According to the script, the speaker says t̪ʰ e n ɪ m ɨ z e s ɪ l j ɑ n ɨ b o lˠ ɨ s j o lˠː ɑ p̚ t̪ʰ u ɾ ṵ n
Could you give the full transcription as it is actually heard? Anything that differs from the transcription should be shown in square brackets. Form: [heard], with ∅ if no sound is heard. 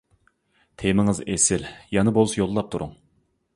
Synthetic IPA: t̪ʰ e [m] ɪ [ŋ] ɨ z e s ɪ l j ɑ n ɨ b o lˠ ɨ s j o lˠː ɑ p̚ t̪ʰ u ɾ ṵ [ŋ]